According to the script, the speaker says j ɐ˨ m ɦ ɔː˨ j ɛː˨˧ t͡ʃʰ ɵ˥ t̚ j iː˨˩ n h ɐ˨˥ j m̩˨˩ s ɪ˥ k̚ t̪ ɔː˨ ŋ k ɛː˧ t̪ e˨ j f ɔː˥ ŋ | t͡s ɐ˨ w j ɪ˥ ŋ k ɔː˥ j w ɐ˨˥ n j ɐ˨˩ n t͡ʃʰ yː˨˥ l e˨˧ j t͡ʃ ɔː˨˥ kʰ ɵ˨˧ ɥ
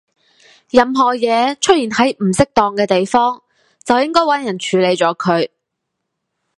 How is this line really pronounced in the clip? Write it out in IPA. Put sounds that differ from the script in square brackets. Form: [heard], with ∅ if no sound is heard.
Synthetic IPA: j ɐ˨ m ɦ ɔː˨ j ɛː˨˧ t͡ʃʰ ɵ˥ t̚ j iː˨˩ n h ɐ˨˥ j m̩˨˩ s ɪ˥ k̚ t̪ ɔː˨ ŋ k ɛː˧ t̪ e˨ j f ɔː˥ ŋ | t͡s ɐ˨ w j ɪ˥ ŋ k ɔː˥ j w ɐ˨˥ n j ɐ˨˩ n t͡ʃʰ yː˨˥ l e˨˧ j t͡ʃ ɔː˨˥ kʰ ɵ˨˧ ɥ